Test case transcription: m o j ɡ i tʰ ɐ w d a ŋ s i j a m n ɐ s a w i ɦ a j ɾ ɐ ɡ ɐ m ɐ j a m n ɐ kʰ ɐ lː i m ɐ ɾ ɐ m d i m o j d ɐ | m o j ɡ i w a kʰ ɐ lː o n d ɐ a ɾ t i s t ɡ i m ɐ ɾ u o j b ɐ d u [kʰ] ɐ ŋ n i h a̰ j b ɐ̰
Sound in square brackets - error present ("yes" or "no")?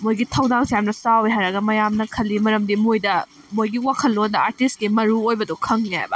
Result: no